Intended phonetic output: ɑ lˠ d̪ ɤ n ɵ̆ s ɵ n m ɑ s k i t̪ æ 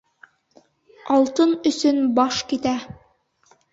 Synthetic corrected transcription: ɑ lˠ t̪ ɤ n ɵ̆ s ɵ n b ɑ ʃ k i t̪ æ